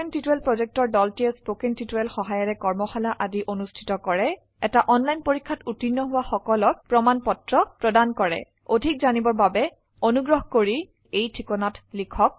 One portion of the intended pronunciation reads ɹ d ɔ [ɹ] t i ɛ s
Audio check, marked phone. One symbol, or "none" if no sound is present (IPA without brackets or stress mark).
l